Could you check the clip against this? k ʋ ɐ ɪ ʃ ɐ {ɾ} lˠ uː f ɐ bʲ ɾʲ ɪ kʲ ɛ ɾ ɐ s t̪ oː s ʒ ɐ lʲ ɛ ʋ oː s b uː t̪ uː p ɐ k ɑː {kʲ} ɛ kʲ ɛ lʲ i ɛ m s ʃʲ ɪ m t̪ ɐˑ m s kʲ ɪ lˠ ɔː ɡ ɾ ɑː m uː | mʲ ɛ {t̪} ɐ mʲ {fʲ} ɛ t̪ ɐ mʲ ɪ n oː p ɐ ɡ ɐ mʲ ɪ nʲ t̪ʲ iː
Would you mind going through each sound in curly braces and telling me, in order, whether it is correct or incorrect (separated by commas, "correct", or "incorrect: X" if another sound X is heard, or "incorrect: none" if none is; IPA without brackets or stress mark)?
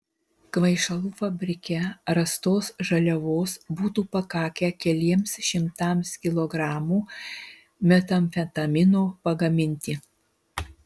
incorrect: none, correct, correct, correct